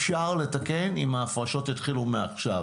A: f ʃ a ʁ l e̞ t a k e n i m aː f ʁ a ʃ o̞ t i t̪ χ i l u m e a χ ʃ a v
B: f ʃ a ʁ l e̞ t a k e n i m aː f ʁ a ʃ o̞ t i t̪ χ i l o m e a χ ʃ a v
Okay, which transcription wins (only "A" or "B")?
A